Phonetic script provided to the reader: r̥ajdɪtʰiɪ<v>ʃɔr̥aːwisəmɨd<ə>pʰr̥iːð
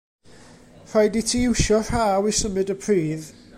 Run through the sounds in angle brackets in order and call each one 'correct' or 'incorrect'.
incorrect: w, correct

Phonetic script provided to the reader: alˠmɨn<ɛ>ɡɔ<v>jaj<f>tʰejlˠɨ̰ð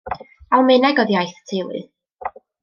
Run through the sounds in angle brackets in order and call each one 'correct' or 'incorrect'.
correct, incorrect: ð, incorrect: θ

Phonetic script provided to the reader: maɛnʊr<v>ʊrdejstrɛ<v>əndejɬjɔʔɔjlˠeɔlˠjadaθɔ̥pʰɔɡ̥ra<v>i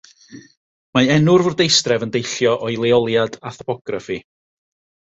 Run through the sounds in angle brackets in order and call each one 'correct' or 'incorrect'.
correct, correct, incorrect: f

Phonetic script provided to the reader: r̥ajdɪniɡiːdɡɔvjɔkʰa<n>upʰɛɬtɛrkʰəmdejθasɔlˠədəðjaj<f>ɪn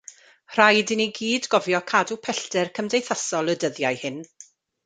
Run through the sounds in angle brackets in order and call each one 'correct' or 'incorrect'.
incorrect: d, incorrect: h

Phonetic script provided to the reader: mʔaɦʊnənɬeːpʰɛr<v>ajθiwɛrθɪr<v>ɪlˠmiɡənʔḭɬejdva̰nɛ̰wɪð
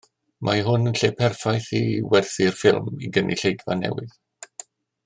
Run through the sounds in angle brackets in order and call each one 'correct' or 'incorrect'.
incorrect: f, incorrect: f

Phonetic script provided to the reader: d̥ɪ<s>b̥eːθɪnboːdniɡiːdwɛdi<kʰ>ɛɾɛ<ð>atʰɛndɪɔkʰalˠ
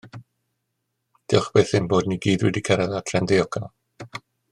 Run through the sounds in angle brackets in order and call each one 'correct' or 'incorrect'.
incorrect: χ, correct, correct

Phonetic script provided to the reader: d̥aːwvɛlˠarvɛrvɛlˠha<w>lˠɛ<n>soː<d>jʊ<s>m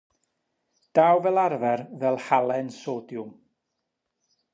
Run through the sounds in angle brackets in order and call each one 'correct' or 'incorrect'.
incorrect: none, correct, correct, incorrect: none

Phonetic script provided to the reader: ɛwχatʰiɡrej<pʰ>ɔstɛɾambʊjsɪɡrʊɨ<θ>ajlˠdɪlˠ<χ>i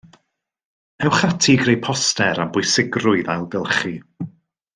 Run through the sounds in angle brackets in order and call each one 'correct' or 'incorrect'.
correct, incorrect: ð, correct

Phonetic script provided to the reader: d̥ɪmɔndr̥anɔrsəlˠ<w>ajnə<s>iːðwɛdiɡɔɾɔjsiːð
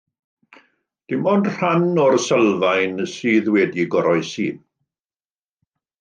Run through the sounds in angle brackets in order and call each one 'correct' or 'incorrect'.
incorrect: v, correct

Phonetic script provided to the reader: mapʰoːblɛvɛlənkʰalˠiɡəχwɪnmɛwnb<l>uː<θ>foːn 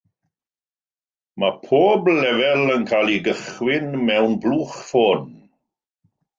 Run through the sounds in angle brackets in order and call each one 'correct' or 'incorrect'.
correct, incorrect: χ

